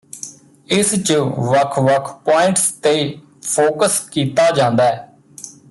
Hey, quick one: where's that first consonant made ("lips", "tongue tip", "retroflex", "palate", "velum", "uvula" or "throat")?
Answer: tongue tip